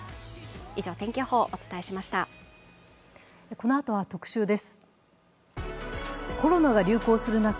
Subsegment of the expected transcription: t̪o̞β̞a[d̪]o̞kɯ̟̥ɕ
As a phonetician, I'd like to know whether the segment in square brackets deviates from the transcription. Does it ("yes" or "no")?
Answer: yes